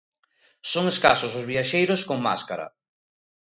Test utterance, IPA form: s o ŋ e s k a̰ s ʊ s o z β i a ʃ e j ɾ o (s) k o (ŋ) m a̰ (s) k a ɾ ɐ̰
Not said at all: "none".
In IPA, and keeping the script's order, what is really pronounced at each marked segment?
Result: s, ŋ, s

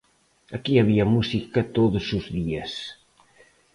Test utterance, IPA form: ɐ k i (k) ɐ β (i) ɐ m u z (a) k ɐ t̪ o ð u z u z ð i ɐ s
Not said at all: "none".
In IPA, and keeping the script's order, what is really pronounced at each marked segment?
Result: none, i, i

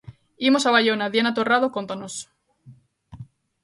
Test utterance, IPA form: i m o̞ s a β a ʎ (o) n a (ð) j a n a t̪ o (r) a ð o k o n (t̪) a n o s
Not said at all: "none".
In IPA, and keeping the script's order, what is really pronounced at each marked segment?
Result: o, ð, r, t̪

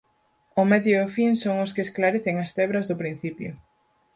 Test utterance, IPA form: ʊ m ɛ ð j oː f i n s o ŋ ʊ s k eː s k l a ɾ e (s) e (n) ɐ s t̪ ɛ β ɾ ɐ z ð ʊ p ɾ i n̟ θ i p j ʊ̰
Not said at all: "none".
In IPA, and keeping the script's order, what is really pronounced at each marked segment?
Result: θ, ŋ

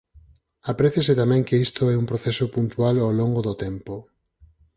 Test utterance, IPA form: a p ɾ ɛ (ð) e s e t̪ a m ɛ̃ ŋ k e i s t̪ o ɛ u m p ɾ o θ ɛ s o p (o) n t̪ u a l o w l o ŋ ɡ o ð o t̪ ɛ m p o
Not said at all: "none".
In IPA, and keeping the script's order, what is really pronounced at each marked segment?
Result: θ, u

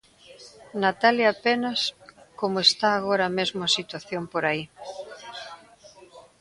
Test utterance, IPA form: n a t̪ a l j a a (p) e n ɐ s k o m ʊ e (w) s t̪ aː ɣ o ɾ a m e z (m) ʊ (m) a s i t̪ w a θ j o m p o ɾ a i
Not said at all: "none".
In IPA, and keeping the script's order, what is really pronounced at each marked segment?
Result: p, none, m, none

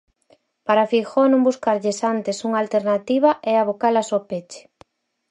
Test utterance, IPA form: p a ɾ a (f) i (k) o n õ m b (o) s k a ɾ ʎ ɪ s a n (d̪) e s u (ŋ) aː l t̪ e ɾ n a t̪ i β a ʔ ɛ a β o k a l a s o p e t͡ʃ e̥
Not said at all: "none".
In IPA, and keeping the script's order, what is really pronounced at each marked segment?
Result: f, x, u, t̪, ŋ

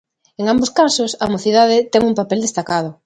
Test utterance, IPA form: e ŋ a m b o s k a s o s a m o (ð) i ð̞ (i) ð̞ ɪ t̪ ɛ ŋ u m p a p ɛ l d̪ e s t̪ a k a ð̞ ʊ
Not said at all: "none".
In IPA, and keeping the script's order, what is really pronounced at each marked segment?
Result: θ, a

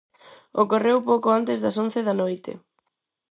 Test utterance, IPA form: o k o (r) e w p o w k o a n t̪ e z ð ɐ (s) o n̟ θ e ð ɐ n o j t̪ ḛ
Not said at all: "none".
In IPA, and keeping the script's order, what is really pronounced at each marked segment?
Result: r, s

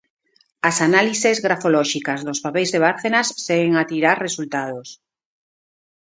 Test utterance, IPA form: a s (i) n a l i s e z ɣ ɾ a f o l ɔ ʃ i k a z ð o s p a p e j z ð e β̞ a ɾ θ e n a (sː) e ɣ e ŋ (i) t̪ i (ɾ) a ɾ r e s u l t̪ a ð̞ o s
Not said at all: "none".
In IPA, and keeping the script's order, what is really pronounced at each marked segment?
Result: a, sː, a, ɾ

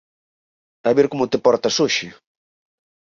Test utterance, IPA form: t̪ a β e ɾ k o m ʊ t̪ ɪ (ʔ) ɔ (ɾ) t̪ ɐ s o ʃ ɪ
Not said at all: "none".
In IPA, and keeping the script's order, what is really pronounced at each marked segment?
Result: p, ɾ

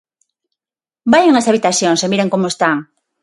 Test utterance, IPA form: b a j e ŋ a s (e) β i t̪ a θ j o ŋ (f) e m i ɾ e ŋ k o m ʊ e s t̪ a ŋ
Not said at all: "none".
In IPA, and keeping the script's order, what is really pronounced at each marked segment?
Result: a, s

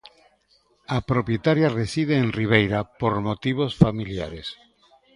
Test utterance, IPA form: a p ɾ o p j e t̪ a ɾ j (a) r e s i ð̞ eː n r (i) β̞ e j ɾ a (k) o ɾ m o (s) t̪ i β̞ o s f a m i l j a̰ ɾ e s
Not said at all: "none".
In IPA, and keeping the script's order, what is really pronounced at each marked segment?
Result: a, i, p, none

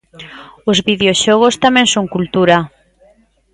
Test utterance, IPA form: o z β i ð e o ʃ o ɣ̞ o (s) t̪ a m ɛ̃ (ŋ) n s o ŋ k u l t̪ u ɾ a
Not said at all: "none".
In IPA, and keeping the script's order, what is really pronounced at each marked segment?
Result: s, none

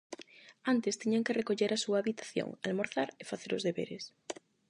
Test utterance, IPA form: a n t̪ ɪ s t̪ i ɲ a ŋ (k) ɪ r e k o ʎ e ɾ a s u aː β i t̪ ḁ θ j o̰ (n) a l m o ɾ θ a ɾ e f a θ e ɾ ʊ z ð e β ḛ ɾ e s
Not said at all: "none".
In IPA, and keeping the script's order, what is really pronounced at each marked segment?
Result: k, ŋ

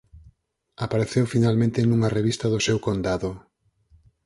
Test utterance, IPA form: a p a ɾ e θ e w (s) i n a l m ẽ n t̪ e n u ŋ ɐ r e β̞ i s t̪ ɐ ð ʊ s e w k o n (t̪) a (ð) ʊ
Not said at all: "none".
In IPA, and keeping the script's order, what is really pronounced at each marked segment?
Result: f, d̪, ð

